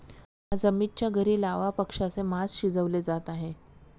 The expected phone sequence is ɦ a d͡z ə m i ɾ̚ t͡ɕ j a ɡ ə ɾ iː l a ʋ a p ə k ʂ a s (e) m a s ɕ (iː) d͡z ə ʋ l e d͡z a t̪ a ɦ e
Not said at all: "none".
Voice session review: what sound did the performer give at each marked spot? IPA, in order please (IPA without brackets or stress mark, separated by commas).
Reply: e, i